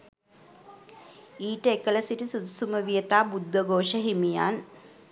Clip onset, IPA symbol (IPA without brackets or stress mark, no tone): iː